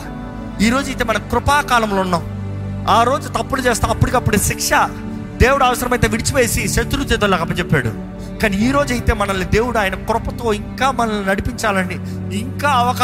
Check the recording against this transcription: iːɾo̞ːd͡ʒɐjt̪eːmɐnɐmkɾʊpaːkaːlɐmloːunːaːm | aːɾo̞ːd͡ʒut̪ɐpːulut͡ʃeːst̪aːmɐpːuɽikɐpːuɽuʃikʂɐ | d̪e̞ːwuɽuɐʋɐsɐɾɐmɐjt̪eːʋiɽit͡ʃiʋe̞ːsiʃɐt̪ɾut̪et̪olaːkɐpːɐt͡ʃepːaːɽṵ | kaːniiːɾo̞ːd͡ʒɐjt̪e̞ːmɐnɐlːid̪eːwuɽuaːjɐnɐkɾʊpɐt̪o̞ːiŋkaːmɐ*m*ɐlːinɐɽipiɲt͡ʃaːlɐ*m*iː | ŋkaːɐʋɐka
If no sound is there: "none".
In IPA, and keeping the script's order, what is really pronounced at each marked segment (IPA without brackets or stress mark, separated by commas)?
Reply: n, n